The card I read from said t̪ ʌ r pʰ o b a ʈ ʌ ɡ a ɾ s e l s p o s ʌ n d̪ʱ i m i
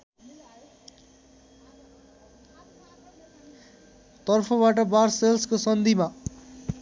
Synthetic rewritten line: t̪ ʌ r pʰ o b a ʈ ʌ b a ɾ s e l s k o s ʌ n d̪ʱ i m a